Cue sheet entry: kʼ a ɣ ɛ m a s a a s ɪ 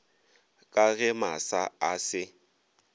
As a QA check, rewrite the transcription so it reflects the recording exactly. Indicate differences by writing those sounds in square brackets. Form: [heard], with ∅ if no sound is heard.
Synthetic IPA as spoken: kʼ a ɣ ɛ m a s a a s ɪ